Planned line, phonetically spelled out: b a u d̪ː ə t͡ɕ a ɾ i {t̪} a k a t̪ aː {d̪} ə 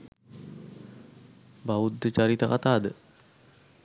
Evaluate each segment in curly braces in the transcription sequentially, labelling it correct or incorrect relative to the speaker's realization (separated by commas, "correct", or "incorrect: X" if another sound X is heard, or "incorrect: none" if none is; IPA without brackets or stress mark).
correct, correct